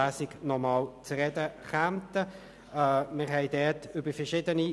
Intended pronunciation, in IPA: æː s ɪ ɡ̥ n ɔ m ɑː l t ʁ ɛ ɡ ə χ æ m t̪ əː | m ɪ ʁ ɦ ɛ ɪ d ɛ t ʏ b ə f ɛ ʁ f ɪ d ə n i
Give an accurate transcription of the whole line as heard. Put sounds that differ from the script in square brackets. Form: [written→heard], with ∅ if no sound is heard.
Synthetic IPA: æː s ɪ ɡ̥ n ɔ m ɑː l [t→t͡s] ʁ ɛ [ɡ→d] ə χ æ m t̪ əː | m ɪ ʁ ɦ ɛ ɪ d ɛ t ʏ b ə f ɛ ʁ [f→ʃ] ɪ d ə n i